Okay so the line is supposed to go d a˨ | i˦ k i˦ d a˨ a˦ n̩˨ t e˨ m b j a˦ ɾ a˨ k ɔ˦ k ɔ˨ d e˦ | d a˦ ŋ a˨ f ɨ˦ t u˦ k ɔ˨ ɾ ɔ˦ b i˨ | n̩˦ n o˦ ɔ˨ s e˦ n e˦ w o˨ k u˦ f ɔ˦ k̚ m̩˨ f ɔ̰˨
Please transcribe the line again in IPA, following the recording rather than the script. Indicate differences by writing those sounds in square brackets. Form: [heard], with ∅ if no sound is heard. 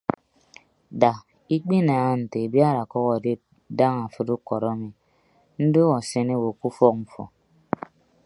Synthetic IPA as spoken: d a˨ | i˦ [k͡p] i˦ [n] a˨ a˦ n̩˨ t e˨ [∅] b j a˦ ɾ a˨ k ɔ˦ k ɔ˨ d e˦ | d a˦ ŋ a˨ f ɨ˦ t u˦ k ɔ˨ ɾ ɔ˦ [m] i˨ | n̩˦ [d] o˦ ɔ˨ s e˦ n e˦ w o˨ k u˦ f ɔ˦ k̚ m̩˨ f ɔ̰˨